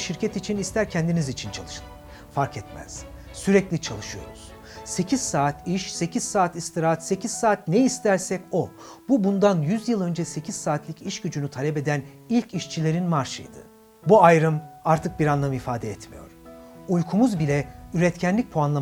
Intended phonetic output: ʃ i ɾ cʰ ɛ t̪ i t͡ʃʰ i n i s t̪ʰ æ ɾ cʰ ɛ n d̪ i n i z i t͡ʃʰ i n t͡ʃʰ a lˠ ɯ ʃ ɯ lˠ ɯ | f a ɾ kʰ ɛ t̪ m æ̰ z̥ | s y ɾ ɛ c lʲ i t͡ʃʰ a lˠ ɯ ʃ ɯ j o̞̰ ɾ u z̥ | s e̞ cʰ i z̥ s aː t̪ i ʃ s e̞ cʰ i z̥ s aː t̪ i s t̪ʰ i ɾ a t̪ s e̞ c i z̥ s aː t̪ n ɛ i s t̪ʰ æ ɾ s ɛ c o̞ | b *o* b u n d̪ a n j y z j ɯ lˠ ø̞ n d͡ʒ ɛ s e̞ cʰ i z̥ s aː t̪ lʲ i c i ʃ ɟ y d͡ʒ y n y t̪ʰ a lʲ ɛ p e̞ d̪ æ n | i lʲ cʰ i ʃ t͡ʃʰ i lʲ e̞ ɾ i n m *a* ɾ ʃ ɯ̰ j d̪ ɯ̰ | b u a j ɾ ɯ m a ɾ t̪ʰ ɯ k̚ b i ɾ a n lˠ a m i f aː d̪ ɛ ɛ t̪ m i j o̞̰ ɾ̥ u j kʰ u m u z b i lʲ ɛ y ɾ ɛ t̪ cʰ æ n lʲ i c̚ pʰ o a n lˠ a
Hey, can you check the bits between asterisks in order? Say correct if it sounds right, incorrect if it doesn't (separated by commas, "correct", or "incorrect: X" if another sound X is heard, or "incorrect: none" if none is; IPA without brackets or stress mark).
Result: incorrect: u, correct